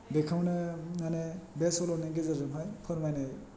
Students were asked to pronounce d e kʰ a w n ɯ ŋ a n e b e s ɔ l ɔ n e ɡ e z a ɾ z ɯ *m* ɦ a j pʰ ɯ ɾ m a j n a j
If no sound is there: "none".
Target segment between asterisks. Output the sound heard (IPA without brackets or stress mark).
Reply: m